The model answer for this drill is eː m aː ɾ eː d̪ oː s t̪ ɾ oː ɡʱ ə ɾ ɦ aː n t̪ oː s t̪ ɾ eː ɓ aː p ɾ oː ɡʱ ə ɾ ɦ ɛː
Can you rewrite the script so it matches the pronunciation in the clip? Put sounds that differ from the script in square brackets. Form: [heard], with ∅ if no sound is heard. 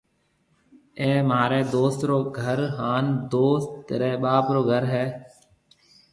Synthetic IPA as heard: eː m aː ɾ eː d̪ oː s t̪ ɾ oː ɡʱ ə ɾ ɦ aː n [d̪] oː s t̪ ɾ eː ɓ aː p ɾ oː ɡʱ ə ɾ ɦ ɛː